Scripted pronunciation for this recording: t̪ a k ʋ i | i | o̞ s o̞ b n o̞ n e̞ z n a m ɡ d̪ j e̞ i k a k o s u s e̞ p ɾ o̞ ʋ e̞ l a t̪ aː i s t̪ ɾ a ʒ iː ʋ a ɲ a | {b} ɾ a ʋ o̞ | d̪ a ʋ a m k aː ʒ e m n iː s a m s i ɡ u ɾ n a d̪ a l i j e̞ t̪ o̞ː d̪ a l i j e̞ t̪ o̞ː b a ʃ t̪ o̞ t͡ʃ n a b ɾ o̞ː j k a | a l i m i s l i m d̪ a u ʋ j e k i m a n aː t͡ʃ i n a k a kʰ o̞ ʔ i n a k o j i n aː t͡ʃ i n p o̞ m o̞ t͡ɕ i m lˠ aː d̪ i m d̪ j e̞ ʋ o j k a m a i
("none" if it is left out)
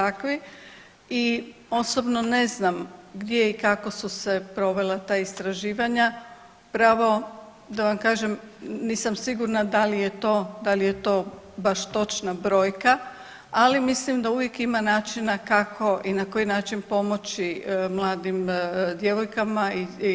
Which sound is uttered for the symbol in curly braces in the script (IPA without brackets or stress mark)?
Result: p